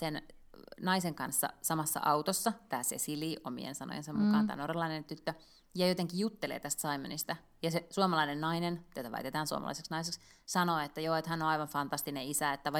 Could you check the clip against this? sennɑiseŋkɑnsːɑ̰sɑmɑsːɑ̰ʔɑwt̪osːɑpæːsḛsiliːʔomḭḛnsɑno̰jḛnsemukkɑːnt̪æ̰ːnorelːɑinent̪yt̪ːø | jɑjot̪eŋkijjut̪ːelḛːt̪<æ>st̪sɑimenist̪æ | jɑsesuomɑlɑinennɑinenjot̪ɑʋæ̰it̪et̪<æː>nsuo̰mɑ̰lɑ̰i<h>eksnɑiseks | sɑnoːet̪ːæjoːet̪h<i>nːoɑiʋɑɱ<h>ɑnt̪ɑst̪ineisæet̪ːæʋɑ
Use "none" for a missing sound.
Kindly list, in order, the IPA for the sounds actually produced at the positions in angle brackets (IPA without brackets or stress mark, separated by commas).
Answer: æ, æː, s, æ, f